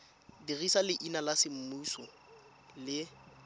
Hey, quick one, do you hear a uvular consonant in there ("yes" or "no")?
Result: no